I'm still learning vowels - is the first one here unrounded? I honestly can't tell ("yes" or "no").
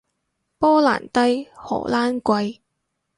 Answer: no